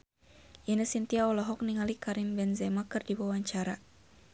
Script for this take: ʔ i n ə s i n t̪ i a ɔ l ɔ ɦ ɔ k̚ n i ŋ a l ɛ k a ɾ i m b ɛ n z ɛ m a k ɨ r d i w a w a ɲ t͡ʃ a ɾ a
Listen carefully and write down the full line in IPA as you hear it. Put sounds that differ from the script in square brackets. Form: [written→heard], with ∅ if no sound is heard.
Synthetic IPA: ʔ i n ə s i n t̪ i a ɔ l ɔ ɦ ɔ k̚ n i ŋ a l [ɛ→i] k a ɾ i m b ɛ n z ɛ m a k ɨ r d i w a w a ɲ t͡ʃ a ɾ a